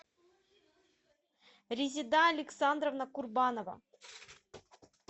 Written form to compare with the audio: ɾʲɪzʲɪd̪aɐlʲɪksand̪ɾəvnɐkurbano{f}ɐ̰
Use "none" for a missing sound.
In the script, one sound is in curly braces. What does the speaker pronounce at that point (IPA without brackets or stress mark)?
v